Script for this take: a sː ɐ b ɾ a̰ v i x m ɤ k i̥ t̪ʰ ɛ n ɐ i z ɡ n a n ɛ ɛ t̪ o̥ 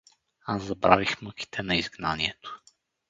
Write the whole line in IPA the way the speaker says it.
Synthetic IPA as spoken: a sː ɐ b ɾ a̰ v i x m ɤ k i̥ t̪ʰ ɛ n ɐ i z ɡ n a n i ɛ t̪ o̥